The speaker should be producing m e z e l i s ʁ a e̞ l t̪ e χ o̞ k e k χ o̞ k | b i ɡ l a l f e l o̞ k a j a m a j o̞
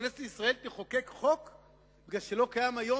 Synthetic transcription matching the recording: n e s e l i s ʁ a e̞ l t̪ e χ o̞ k e k χ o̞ k | b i ɡ l a l ʃ e l o̞ k a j a m a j o̞